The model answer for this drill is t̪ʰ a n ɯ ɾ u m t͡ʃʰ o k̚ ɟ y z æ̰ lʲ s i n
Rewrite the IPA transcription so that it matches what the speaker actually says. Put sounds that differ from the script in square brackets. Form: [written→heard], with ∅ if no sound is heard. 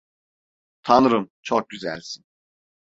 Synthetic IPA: t̪ʰ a n ɯ ɾ [u→ɯ] m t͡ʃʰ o k̚ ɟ y z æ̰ lʲ s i n